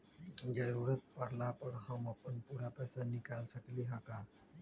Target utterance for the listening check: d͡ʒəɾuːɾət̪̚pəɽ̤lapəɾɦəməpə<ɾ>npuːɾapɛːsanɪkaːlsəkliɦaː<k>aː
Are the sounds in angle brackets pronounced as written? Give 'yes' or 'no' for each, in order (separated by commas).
no, yes